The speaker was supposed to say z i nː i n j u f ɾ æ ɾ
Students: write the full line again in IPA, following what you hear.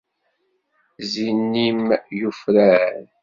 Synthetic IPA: z i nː i m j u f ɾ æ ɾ